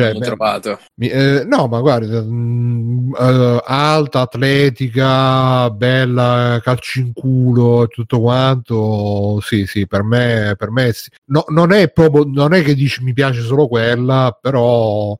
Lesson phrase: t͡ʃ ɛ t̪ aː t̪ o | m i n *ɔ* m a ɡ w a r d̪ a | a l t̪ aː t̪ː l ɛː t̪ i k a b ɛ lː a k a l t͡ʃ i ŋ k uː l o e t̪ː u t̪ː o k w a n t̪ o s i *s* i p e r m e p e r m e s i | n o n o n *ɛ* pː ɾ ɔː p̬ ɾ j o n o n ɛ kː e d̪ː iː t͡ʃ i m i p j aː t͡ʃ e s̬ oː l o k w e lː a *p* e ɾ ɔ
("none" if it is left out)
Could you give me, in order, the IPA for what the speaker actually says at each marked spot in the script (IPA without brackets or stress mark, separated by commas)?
ɔ, s, ɛ, p